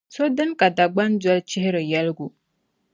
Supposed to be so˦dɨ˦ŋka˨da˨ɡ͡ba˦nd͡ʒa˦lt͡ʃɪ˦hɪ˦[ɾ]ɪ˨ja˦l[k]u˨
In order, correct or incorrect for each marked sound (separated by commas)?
correct, incorrect